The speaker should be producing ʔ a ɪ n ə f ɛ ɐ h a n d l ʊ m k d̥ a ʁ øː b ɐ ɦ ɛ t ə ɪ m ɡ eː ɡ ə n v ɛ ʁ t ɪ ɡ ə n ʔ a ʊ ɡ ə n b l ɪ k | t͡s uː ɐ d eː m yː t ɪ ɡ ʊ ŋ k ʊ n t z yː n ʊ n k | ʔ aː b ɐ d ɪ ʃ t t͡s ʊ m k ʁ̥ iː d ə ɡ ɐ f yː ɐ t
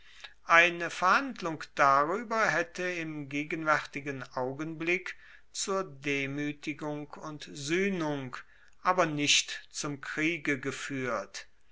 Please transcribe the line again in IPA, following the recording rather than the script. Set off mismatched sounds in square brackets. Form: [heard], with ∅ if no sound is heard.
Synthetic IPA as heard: ʔ a ɪ n ə f ɛ ɐ h a n d l ʊ [ŋ] k d̥ a ʁ [yː] b ɐ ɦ ɛ t ə ɪ m ɡ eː ɡ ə n v ɛ ʁ t ɪ ɡ ə n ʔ a ʊ ɡ ə n b l ɪ k | t͡s uː ɐ d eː m yː t ɪ ɡ ʊ ŋ k ʊ n t z yː n ʊ [ŋ] k | ʔ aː b ɐ [n] ɪ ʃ t t͡s ʊ m k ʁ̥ iː [ɡ] ə ɡ [ə] f yː ɐ t